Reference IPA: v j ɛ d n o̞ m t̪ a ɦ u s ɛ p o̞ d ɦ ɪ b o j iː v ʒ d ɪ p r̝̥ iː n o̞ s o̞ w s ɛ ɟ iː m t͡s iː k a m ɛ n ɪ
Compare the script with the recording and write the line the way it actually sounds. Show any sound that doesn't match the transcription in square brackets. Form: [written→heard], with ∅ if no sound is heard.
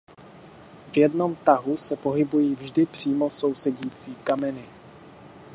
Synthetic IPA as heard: v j ɛ d n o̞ m t̪ a ɦ u s ɛ p o̞ [d→∅] ɦ ɪ b [o→u] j iː v ʒ d ɪ p r̝̥ iː [n→m] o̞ s o̞ w s ɛ ɟ iː [m→∅] t͡s iː k a m ɛ n ɪ